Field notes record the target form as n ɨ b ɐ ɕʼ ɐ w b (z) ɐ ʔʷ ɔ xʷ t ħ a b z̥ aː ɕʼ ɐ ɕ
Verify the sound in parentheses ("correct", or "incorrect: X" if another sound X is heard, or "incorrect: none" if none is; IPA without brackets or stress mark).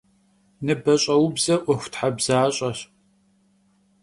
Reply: correct